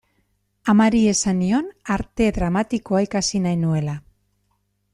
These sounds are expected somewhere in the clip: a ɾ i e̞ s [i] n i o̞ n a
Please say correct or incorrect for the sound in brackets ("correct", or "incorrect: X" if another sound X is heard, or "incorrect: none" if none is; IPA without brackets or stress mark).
incorrect: a